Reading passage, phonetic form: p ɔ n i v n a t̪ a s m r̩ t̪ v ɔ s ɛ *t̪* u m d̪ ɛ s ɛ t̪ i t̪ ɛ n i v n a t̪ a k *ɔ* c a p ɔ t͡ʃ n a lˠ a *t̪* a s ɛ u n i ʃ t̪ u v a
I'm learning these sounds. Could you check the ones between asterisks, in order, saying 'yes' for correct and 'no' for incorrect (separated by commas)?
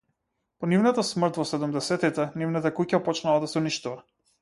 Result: no, no, no